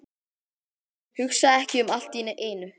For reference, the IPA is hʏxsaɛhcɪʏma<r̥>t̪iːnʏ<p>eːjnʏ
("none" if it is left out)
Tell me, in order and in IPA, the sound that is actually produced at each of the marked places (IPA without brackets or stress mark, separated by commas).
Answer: l̥, ʔ